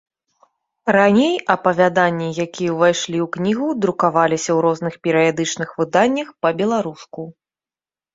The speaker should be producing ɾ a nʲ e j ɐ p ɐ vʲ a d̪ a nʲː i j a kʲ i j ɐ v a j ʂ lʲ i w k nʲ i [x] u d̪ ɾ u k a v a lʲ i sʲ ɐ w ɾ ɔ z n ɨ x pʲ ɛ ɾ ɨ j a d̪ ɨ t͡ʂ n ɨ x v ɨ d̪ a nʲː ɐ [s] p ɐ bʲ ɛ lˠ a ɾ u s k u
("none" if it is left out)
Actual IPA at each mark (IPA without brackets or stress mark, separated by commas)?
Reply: ɣ, x